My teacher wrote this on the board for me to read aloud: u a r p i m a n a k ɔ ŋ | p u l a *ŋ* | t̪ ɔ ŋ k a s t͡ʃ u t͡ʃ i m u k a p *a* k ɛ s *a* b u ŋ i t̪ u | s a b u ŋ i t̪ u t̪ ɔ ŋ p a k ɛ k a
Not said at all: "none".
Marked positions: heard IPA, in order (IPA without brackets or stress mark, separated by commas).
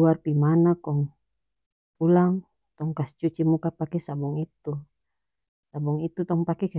ŋ, a, a